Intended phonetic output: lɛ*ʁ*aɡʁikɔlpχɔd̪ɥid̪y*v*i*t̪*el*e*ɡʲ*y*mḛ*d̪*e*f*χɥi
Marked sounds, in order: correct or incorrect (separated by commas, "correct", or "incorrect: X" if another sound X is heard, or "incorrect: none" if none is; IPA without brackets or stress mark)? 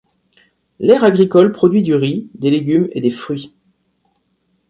correct, incorrect: ʁ, incorrect: d̪, correct, correct, correct, correct